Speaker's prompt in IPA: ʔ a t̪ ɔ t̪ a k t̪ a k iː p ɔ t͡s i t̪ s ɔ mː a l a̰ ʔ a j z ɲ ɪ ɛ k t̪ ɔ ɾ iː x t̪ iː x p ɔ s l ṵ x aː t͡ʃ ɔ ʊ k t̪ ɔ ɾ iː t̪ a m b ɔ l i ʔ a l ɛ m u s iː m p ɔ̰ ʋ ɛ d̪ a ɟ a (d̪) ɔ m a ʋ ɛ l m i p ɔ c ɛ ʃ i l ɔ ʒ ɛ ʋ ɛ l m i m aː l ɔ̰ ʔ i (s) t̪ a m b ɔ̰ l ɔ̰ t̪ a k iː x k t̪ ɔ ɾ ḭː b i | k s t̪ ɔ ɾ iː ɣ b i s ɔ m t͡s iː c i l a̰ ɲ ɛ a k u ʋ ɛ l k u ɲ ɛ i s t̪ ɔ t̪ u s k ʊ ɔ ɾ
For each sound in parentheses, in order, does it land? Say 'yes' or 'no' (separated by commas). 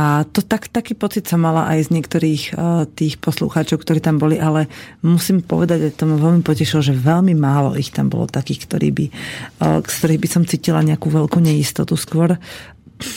no, no